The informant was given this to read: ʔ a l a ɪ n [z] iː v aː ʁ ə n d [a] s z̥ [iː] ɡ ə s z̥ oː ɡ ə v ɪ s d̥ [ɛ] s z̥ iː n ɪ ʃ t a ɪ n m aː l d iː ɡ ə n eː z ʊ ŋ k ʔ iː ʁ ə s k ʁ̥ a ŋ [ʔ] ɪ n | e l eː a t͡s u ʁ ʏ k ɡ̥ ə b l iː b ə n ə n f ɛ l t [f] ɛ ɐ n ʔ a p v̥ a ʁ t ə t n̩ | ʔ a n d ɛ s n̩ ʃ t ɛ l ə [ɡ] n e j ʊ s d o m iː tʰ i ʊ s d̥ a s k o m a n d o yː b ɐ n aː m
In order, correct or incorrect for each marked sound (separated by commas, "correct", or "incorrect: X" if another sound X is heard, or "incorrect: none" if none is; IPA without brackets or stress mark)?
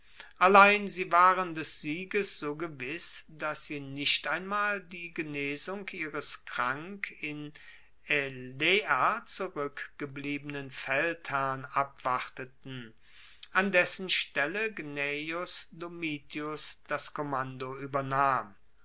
correct, incorrect: ɛ, correct, incorrect: a, incorrect: k, incorrect: h, correct